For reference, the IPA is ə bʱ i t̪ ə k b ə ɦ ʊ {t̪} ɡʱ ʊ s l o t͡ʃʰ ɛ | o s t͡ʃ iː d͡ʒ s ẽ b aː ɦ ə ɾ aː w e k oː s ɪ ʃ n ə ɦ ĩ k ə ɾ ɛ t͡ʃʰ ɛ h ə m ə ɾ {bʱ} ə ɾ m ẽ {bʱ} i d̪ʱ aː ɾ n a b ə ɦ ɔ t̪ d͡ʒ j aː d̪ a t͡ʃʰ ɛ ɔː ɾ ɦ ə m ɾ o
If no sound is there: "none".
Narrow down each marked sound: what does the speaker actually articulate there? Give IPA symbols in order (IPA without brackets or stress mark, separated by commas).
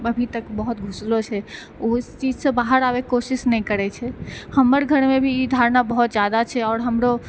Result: t̪, ɡʱ, bʱ